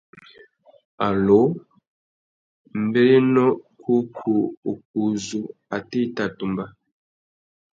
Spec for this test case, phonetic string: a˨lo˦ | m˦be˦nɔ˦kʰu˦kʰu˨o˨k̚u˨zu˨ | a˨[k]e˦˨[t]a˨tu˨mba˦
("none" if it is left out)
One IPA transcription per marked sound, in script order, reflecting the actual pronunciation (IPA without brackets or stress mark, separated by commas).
t, t